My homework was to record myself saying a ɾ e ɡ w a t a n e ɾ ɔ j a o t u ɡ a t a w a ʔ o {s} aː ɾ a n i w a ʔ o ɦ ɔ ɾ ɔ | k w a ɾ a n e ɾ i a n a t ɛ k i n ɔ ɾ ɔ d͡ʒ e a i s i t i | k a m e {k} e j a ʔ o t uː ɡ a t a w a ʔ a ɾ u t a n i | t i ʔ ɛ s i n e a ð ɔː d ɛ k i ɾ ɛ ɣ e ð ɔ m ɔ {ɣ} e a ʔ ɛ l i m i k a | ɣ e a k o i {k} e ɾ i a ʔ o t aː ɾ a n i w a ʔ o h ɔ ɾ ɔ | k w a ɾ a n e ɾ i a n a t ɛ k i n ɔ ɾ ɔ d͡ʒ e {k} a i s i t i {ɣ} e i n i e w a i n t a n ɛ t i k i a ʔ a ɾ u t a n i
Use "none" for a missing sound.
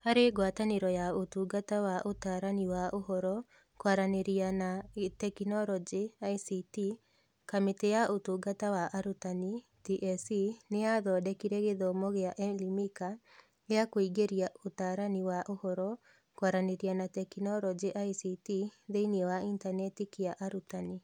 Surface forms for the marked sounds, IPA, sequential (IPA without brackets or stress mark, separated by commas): t, t, ɣ, ɡ, ʔ, ð